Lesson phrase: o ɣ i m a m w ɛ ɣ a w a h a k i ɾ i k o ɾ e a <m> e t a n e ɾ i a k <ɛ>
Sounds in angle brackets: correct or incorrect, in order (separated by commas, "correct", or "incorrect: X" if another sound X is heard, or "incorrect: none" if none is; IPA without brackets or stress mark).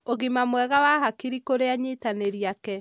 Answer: incorrect: ɲ, correct